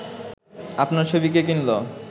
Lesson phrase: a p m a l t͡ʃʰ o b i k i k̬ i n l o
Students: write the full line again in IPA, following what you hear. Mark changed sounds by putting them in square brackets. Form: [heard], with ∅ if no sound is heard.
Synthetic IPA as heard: a p [n] a [ɾ] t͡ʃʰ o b i k [e] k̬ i n l o